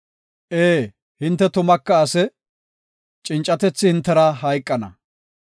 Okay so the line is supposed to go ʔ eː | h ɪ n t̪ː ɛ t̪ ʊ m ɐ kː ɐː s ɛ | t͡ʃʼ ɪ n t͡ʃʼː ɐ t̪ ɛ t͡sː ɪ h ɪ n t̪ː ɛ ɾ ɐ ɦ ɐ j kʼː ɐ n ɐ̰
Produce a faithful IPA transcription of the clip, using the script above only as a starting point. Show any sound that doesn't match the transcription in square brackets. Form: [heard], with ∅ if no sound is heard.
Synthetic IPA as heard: ʔ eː | h ɪ n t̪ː ɛ t̪ ʊ m ɐ kː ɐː s ɛ | t͡ʃʼ ɪ n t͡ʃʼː ɐ t̪ ɛ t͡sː ɪ h ɪ n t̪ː ɛ ɾ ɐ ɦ ɐ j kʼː ɐ n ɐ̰